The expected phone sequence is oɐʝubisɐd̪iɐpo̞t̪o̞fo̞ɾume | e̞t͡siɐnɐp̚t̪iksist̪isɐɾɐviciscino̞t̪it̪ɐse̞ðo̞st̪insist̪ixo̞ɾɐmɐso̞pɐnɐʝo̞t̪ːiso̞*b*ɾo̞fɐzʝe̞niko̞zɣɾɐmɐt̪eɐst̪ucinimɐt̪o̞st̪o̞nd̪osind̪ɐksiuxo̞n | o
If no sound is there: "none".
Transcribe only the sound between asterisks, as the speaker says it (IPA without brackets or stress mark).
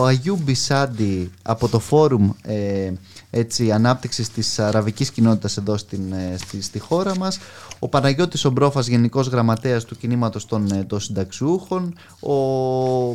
b